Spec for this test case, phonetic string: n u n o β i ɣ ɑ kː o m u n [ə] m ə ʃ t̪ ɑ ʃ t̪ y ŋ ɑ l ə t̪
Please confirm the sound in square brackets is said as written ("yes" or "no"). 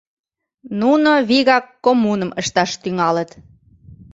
yes